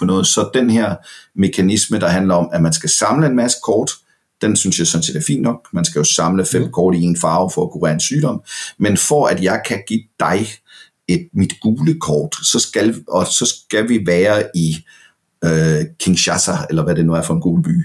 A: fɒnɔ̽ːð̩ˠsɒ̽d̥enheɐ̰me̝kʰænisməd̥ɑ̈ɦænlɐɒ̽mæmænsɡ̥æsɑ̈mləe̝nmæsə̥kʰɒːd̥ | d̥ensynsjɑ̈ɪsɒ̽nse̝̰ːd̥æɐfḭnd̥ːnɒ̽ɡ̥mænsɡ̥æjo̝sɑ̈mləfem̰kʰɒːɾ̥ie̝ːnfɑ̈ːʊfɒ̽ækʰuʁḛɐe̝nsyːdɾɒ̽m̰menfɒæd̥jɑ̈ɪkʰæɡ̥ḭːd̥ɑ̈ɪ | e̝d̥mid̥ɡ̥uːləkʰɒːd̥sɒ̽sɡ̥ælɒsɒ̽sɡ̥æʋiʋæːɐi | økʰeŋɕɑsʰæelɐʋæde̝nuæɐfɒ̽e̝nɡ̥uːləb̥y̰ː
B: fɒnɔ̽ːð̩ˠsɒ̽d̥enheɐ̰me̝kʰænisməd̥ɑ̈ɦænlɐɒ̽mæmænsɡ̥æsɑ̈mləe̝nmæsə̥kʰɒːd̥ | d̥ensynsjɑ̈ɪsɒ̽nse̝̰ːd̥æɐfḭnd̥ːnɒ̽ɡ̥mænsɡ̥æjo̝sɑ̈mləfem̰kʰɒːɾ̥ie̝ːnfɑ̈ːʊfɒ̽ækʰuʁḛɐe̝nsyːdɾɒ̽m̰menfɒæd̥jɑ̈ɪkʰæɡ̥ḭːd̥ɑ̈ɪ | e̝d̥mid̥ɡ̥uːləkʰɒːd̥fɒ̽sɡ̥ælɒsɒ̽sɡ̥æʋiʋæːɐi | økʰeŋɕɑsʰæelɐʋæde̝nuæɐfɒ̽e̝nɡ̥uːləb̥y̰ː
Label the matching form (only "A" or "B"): A